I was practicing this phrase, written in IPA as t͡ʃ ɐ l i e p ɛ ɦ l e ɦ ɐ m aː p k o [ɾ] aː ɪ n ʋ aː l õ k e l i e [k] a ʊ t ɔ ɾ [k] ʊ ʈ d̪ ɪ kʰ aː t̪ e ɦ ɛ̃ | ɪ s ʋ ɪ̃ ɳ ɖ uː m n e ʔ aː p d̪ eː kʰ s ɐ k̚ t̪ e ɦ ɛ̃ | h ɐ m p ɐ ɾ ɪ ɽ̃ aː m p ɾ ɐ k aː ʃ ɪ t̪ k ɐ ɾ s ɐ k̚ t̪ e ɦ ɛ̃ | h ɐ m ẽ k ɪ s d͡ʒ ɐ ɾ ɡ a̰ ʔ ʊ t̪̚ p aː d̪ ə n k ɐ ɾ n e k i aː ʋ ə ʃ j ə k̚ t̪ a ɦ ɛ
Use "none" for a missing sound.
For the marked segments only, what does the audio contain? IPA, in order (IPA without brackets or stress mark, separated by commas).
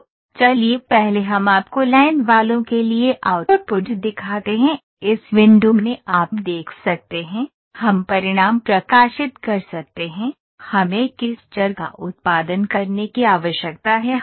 l, ʔ, p